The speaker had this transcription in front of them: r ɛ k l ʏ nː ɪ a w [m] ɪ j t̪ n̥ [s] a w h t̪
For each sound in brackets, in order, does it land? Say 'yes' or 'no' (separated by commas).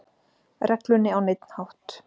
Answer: no, no